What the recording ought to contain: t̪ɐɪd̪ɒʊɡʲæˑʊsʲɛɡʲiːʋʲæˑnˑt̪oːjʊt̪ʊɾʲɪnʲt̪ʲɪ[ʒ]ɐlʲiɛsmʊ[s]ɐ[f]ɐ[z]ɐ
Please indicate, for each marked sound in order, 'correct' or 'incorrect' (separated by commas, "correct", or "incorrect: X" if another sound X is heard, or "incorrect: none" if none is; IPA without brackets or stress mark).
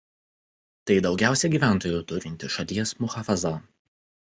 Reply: incorrect: ʃ, incorrect: x, correct, correct